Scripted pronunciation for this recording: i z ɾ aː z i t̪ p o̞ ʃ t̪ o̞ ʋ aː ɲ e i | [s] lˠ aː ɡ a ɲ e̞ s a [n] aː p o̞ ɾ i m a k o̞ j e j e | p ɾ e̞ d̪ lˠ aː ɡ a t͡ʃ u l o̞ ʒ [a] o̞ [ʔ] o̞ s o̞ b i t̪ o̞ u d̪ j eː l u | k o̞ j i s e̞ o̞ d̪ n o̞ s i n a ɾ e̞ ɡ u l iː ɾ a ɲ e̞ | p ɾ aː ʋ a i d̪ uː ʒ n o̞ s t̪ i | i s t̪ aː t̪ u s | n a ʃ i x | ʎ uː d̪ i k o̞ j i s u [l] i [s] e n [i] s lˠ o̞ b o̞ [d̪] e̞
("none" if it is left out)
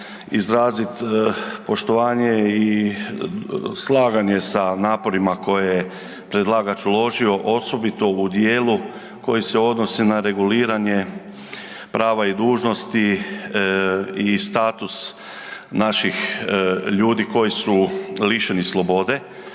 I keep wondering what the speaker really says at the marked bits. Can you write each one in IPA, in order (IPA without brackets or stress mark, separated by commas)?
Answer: s, n, i, ʔ, l, ʃ, i, d̪